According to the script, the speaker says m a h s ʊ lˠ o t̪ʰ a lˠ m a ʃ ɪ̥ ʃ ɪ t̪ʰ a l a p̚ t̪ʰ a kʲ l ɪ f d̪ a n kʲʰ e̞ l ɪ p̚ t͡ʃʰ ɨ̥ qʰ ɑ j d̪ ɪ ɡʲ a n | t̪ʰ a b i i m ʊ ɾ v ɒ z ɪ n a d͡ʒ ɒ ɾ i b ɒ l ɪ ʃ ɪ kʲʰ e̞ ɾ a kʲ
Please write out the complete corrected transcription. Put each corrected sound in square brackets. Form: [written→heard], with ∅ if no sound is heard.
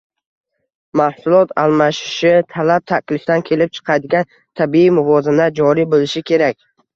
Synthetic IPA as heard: m a h s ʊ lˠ [o→ɒ] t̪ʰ a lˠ m a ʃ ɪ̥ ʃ ɪ t̪ʰ a l a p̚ t̪ʰ a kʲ l ɪ f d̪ a n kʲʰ e̞ l ɪ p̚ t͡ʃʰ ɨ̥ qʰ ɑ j d̪ ɪ ɡʲ a n | t̪ʰ a b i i m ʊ [ɾ→∅] v ɒ z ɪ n a d͡ʒ ɒ ɾ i b [ɒ→o] l ɪ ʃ ɪ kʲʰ e̞ ɾ a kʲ

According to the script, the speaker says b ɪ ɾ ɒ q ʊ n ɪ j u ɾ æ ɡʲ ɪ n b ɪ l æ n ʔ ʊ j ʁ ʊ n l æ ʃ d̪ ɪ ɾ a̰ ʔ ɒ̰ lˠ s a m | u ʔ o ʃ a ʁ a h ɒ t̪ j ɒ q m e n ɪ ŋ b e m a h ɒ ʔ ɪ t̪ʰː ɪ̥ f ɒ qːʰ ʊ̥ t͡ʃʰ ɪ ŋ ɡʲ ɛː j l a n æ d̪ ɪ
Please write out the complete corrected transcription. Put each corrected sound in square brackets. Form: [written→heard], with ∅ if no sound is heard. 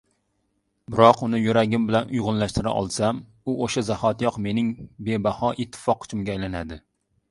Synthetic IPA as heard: b ɪ ɾ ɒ q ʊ n ɪ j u ɾ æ ɡʲ ɪ [n→m] b ɪ l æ n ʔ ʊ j ʁ ʊ n l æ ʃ [d̪→t̪] ɪ ɾ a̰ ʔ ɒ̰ lˠ s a m | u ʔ o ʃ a [ʁ→z] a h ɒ t̪ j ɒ q m e n ɪ ŋ b e [m→b] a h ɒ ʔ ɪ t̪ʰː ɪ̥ f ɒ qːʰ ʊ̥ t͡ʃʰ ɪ [ŋ→m] ɡʲ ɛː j l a n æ d̪ ɪ

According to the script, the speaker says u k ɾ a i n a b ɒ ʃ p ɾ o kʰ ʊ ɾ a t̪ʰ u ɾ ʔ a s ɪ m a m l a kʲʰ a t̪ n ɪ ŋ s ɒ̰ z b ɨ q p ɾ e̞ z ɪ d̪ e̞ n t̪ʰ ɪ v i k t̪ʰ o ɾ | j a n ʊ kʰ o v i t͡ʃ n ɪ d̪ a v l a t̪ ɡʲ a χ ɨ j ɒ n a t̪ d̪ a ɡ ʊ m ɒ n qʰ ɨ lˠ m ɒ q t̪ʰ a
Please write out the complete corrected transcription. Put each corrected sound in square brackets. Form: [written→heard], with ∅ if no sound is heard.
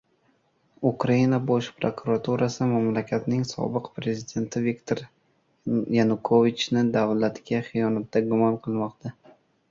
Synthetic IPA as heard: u k ɾ a i n a b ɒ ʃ p ɾ o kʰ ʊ ɾ a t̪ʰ u ɾ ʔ a s ɪ m a m l a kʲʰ a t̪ n ɪ ŋ s ɒ̰ [z→∅] b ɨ q p ɾ e̞ z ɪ d̪ e̞ n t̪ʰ ɪ v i k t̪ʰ o ɾ | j a n ʊ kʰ o v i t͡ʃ n ɪ d̪ a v l a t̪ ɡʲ a χ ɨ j ɒ n a t̪ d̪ a ɡ ʊ m ɒ n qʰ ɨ lˠ m ɒ q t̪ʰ a

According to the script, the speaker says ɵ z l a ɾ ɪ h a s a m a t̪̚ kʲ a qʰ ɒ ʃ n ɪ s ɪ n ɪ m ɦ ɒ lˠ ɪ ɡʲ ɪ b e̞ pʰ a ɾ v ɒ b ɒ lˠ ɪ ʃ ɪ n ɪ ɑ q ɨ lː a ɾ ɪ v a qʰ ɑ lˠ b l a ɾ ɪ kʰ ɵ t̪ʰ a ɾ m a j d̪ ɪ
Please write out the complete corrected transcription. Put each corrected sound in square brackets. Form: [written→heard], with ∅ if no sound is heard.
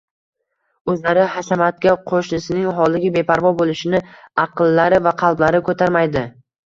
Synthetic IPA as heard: ɵ z l a ɾ ɪ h a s a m a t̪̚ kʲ a qʰ [ɒ→o] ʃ n ɪ s ɪ n ɪ [m→ŋ] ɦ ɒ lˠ ɪ ɡʲ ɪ b e̞ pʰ a ɾ v ɒ b [ɒ→o] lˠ ɪ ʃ ɪ n ɪ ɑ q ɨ lː a ɾ ɪ v a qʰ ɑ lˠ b l a ɾ ɪ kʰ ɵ t̪ʰ a ɾ m a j d̪ ɪ

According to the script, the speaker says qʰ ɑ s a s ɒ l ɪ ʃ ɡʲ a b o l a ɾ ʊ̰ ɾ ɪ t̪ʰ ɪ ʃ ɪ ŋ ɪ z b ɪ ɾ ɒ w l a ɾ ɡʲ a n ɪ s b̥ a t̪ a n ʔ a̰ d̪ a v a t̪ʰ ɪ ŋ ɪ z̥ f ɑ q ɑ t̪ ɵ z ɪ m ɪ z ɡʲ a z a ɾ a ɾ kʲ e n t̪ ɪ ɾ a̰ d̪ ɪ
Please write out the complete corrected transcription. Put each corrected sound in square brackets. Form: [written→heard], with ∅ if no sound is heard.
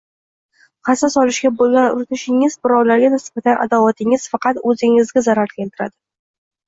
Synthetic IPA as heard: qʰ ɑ s a s ɒ l ɪ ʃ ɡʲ a b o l a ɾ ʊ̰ ɾ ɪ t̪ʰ ɪ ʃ ɪ ŋ ɪ z b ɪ ɾ ɒ w l a ɾ ɡʲ a n ɪ s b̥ a t̪ a n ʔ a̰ d̪ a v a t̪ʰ ɪ ŋ ɪ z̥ f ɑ q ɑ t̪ ɵ z ɪ [m→ŋ] ɪ z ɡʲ a z a ɾ a ɾ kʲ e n t̪ ɪ ɾ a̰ d̪ ɪ

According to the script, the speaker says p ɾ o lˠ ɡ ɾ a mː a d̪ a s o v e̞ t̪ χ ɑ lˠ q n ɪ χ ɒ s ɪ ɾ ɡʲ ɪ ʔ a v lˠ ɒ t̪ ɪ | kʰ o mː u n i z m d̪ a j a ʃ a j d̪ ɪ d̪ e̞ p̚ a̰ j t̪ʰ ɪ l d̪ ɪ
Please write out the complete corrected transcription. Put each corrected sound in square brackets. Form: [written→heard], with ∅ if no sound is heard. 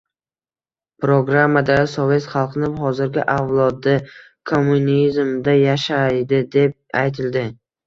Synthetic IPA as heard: p ɾ o [lˠ→∅] ɡ ɾ a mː a d̪ a s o v e̞ t̪ χ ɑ lˠ q n ɪ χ ɒ [s→z] ɪ ɾ ɡʲ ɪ ʔ a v lˠ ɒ [t̪→d̪] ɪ | kʰ o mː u n i z m d̪ a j a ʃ a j d̪ ɪ d̪ e̞ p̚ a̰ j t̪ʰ ɪ l d̪ ɪ

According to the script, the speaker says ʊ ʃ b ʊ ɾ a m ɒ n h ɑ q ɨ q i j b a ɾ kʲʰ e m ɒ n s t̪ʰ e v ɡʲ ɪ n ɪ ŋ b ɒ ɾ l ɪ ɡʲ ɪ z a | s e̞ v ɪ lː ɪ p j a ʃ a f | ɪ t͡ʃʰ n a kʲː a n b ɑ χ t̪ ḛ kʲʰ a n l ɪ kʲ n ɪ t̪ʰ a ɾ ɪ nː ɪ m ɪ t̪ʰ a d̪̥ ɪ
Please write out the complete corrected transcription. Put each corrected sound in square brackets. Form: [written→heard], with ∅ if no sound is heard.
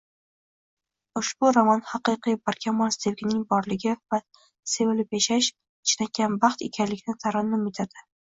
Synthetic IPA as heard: ʊ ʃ b ʊ ɾ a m ɒ n h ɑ q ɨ q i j b a ɾ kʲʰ [e→a] m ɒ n s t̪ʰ e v ɡʲ ɪ n ɪ ŋ b ɒ ɾ l ɪ ɡʲ ɪ [z→v] a | s e̞ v ɪ [lː→l] ɪ p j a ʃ a [f→ʃ] | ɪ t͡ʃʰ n a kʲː a n b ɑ χ t̪ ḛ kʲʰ a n l ɪ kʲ n ɪ t̪ʰ a ɾ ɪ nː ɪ m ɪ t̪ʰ a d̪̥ ɪ

